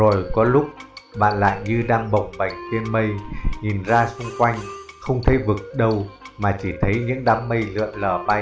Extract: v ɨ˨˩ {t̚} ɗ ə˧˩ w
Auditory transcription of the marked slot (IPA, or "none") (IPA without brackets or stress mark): k̚